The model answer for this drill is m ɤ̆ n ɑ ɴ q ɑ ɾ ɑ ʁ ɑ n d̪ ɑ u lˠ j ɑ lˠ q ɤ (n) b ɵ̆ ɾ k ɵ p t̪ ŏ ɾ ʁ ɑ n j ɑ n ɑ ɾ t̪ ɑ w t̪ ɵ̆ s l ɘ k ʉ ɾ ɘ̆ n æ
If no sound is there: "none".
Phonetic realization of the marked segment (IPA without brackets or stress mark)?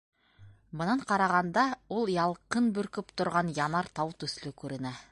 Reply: n